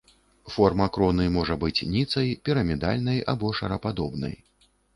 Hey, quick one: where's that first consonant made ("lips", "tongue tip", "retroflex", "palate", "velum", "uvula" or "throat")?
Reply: lips